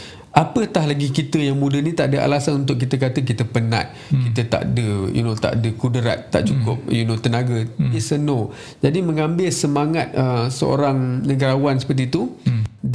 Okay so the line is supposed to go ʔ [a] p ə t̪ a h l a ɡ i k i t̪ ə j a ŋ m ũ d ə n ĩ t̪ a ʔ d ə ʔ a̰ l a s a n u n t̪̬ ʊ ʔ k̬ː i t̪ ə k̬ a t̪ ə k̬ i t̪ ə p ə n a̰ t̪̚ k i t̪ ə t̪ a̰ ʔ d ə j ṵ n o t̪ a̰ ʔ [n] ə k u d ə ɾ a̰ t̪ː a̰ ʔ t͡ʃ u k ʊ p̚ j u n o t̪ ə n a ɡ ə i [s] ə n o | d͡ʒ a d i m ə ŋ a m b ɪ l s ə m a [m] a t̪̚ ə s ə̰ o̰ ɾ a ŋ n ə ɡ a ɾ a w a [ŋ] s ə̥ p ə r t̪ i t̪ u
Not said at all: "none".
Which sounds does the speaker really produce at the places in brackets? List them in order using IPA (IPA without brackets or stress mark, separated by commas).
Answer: a, d, s, ŋ, n